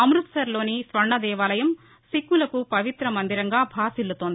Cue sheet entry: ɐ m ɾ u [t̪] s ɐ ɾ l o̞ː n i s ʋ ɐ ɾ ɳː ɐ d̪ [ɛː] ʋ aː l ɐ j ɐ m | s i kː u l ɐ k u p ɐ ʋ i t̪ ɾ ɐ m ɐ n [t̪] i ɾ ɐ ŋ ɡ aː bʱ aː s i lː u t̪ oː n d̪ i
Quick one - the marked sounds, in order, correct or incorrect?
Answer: correct, correct, incorrect

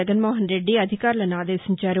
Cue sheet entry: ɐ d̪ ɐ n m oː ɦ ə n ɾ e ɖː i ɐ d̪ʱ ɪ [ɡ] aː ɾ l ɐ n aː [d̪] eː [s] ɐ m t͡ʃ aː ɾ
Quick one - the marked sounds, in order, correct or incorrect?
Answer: incorrect, correct, correct

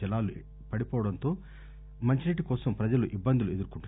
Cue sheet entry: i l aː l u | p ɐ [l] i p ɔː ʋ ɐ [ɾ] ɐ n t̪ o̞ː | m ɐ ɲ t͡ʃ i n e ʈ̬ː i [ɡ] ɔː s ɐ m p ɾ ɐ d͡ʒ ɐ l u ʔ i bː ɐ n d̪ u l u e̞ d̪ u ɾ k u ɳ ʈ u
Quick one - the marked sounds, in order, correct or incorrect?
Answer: incorrect, incorrect, incorrect

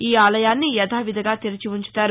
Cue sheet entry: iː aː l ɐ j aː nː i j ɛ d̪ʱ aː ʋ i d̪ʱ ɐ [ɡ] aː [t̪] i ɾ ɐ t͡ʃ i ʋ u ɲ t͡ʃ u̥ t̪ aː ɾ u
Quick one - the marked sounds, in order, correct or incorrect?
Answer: correct, correct

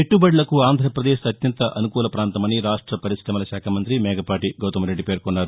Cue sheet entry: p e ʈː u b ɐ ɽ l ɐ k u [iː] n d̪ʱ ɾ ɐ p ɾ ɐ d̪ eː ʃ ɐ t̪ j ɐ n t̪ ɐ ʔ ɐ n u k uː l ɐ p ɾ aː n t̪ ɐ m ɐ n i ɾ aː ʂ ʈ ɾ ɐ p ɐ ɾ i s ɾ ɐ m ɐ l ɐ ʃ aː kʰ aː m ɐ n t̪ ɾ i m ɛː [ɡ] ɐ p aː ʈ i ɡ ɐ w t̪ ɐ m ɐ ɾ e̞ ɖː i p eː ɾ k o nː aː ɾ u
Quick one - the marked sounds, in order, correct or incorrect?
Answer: incorrect, correct

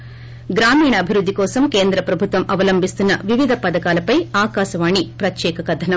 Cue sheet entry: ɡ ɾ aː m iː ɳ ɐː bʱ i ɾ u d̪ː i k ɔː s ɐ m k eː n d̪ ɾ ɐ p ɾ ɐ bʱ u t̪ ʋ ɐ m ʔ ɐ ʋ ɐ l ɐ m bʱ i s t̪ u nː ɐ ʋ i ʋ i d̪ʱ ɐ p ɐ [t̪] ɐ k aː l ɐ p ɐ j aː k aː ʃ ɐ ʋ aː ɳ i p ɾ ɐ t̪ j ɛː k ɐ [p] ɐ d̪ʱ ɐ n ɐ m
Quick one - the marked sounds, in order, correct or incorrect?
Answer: incorrect, incorrect

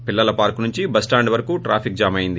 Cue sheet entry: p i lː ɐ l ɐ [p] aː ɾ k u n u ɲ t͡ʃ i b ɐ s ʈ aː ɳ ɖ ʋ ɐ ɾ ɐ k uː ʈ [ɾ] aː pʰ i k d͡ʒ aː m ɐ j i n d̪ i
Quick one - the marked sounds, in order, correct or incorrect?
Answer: correct, correct

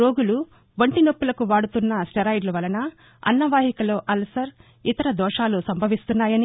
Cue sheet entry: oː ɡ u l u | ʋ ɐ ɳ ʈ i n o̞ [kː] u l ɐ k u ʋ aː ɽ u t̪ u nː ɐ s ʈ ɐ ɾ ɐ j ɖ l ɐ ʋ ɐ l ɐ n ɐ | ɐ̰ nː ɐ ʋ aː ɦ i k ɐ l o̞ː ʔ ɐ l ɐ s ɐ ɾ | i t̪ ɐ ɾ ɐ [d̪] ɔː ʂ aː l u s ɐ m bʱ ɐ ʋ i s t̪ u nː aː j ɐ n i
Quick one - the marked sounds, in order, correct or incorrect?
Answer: incorrect, correct

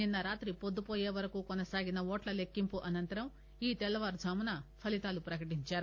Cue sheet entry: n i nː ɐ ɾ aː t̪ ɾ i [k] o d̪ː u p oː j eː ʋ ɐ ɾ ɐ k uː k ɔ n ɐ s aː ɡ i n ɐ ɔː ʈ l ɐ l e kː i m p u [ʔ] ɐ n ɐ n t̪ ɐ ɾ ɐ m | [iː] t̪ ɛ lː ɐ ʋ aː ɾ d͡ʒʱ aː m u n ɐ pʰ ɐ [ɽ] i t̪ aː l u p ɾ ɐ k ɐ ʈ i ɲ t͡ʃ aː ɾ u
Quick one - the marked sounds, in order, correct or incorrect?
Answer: incorrect, correct, correct, incorrect

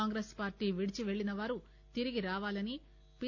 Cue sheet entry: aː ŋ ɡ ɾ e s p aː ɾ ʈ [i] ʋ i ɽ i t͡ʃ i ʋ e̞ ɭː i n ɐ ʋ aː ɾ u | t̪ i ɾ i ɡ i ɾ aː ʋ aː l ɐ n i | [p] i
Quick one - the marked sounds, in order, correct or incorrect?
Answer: incorrect, correct

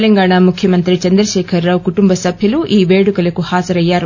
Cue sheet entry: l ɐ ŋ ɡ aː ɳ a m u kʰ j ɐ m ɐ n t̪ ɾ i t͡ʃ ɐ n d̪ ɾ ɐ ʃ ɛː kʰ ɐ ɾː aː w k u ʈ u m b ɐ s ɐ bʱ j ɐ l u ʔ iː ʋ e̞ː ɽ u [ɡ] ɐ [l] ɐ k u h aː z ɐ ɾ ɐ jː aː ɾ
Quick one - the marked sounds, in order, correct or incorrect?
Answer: incorrect, correct

